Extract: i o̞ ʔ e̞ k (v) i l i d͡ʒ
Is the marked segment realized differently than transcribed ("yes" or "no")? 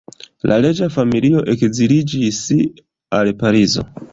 yes